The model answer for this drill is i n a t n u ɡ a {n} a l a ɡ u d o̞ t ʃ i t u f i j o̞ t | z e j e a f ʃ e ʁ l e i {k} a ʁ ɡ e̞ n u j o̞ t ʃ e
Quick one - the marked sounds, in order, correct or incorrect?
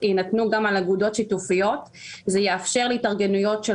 incorrect: m, incorrect: t

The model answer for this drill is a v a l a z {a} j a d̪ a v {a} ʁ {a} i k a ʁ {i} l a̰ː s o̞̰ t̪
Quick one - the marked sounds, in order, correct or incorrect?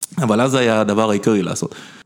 correct, correct, correct, correct

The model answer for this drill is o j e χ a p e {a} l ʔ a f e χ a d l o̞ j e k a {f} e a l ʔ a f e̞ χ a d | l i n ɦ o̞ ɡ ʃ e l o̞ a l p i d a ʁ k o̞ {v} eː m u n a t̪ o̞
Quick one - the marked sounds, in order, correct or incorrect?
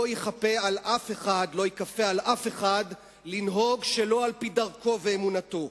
correct, correct, correct

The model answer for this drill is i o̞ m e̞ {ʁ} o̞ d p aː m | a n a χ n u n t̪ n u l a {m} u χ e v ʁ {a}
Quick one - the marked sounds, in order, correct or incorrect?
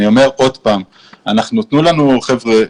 correct, incorrect: n, incorrect: e

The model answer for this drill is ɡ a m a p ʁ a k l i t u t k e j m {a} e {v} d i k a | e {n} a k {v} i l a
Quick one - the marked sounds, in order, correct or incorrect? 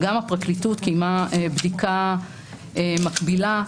correct, incorrect: b, incorrect: m, incorrect: b

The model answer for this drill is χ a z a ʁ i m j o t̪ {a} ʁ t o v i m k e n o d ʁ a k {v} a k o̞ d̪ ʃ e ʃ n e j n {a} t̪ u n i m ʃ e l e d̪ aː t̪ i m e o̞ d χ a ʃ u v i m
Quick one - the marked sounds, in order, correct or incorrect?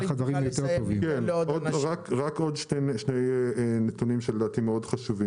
incorrect: e, incorrect: ʁ, incorrect: e

